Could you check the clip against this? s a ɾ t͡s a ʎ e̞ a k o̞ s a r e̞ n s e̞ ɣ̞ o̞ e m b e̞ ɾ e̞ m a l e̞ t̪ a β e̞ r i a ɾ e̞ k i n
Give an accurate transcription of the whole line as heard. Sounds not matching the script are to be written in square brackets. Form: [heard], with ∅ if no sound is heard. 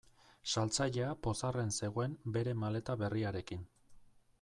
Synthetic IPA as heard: s a [l] t͡s a ʎ e̞ a [p] o̞ s a r e̞ n s e̞ ɣ̞ o̞ e m b e̞ ɾ e̞ m a l e̞ t̪ a β e̞ r i a ɾ e̞ k i n